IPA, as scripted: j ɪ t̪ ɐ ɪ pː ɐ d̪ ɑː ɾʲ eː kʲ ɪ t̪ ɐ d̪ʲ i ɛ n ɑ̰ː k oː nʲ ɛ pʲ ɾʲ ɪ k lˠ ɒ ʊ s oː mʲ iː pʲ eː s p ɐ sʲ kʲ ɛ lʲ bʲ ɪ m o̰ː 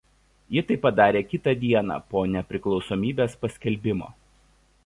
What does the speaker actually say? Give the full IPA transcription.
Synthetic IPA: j ɪ t̪ ɐ ɪ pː ɐ d̪ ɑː ɾʲ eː kʲ ɪ t̪ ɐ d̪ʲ i ɛ n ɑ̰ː p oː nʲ ɛ pʲ ɾʲ ɪ k lˠ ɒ ʊ s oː mʲ iː bʲ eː s p ɐ sʲ kʲ ɛ lʲ bʲ ɪ m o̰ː